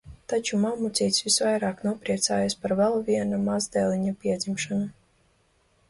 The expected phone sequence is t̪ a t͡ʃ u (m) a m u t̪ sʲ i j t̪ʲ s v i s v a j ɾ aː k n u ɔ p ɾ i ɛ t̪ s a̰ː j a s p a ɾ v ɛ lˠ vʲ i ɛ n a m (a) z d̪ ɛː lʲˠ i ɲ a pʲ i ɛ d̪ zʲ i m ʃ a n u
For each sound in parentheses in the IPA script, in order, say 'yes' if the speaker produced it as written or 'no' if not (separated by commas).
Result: yes, yes